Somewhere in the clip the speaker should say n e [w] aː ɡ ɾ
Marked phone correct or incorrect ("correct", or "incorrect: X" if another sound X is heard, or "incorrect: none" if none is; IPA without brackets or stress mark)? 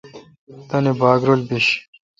incorrect: b